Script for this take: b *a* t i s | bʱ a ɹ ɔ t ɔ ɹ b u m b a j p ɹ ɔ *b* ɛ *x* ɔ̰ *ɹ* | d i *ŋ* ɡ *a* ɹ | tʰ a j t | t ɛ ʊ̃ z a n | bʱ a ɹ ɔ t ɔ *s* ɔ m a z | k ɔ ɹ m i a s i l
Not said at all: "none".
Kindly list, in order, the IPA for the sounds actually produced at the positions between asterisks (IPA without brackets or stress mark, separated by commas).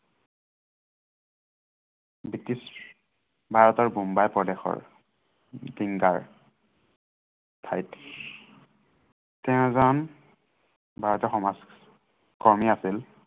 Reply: i, d, x, ɹ, ŋ, a, x